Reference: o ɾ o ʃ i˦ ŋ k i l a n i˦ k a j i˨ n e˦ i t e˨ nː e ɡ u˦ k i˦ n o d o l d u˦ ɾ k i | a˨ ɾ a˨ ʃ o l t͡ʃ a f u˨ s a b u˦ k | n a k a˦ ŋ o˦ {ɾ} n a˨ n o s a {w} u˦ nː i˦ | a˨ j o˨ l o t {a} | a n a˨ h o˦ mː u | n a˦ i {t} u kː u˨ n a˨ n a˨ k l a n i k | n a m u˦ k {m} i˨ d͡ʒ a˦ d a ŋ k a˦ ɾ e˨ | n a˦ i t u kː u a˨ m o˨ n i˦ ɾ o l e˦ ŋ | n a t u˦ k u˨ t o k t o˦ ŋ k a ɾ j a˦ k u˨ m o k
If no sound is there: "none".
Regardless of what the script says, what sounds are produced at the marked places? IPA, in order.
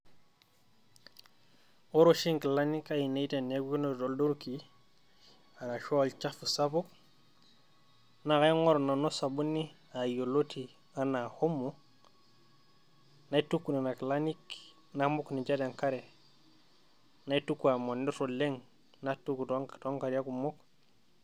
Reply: ɾ, b, i, t, n

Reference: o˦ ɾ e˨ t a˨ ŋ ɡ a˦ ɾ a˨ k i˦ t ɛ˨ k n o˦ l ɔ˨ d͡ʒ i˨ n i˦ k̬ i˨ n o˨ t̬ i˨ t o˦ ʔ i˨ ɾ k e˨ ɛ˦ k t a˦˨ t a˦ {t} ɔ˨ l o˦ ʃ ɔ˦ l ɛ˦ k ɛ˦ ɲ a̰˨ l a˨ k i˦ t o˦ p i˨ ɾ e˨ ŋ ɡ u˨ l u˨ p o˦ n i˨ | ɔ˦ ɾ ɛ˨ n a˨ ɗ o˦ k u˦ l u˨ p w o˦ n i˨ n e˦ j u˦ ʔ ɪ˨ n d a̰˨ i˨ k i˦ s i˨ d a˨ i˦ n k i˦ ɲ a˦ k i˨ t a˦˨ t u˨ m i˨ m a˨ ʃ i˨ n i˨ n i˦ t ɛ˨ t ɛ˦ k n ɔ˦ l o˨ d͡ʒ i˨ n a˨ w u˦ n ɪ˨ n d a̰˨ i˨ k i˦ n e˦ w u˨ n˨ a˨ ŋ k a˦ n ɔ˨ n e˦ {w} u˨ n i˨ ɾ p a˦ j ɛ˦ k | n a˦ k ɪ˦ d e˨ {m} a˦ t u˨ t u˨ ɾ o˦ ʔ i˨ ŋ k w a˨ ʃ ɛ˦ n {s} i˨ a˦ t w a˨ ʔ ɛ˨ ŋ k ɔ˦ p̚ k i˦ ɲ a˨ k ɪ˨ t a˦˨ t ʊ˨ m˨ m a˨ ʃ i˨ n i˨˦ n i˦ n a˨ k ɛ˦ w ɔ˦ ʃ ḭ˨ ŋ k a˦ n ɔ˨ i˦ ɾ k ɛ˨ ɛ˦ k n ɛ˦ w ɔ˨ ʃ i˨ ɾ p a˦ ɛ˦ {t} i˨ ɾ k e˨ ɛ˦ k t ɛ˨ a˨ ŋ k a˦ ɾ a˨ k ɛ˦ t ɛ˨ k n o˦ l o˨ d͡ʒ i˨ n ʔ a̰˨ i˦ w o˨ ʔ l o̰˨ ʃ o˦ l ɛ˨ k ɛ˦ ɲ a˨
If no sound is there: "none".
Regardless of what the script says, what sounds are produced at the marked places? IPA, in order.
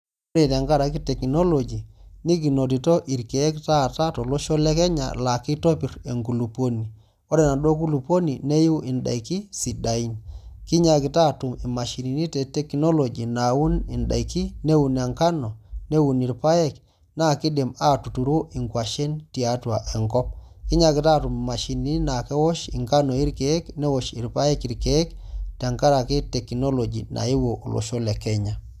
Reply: t, w, m, t, k

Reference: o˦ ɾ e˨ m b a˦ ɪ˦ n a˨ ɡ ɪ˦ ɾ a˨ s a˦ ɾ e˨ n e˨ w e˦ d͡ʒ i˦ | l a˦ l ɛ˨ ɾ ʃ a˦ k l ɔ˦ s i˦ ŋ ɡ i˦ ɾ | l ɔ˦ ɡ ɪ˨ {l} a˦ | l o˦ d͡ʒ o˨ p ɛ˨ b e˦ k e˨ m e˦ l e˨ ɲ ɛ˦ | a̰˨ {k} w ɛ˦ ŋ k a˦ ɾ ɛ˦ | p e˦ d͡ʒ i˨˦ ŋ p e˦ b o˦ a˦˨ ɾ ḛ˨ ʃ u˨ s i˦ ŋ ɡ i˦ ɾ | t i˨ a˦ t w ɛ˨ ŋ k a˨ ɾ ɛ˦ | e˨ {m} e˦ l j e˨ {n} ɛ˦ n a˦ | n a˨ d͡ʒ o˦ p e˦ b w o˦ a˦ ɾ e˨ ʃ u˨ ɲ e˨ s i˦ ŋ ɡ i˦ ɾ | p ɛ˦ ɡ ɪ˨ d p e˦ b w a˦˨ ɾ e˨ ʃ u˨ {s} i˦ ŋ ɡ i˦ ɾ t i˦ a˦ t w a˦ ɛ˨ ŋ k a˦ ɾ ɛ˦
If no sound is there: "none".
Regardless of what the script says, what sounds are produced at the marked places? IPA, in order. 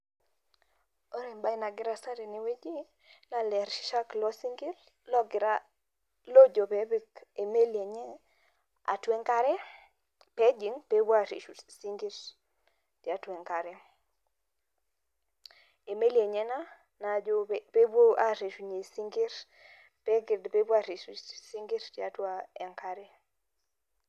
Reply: ɾ, t, m, ɲ, s

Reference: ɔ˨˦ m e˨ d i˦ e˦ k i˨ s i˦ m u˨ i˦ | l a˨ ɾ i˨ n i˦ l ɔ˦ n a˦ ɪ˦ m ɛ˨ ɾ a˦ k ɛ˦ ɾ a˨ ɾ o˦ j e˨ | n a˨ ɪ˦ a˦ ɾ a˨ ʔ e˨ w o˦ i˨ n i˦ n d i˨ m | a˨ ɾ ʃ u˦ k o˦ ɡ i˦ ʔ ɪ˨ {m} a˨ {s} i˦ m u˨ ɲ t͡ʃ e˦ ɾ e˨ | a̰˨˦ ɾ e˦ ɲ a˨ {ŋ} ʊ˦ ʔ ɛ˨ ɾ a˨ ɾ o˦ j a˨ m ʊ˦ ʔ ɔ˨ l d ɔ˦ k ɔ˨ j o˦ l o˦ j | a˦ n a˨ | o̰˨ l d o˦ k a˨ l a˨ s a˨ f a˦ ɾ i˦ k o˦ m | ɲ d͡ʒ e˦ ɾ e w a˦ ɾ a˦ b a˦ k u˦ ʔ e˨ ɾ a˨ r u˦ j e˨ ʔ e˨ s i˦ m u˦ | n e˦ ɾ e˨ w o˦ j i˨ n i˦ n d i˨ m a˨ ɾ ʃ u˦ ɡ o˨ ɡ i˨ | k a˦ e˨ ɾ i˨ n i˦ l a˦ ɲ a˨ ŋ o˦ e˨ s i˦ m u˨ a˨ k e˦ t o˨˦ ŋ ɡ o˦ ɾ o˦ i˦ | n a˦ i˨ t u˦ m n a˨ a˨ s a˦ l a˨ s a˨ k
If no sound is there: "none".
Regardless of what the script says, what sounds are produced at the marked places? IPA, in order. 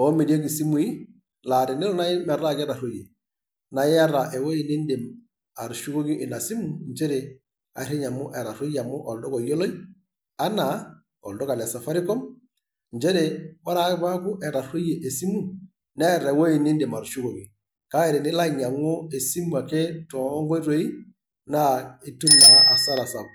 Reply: n, s, m

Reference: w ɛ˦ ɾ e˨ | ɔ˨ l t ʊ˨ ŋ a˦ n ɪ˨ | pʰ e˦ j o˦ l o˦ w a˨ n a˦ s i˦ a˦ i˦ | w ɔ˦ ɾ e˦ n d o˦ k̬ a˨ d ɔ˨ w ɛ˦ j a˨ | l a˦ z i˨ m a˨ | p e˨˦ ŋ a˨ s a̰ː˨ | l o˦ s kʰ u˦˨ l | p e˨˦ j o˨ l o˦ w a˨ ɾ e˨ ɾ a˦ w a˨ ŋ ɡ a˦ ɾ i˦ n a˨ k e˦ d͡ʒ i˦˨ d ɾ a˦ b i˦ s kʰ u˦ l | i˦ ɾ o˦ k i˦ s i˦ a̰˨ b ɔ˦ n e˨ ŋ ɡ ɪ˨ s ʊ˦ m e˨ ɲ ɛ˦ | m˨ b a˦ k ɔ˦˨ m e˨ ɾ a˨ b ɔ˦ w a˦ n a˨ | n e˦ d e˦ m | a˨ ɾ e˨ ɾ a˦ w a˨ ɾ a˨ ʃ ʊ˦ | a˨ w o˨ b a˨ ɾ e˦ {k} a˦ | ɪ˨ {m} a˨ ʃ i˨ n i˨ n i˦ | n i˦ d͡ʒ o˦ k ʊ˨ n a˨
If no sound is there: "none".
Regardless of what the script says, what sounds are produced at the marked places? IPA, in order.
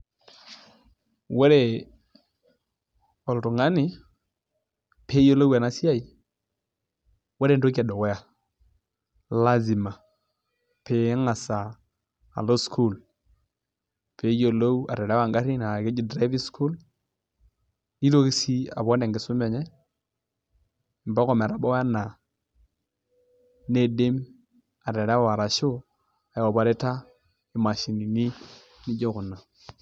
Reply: t, m

